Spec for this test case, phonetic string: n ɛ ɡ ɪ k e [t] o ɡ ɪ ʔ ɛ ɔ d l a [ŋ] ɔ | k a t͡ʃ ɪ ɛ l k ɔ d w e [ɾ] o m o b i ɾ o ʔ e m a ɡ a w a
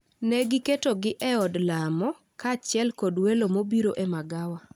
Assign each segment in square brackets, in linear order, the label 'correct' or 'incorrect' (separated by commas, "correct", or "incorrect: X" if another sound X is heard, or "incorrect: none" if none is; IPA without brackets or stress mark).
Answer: correct, incorrect: m, incorrect: l